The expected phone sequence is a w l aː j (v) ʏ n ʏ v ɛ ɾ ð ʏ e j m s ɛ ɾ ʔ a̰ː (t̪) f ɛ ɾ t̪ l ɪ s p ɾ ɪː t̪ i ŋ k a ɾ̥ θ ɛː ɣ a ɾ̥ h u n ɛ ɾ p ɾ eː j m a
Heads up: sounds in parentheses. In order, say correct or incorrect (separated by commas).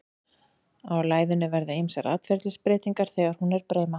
incorrect, correct